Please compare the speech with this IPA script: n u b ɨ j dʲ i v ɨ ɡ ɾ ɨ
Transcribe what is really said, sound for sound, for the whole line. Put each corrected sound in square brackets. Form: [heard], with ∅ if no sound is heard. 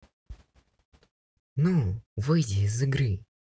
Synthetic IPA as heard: n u [v] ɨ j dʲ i [z] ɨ ɡ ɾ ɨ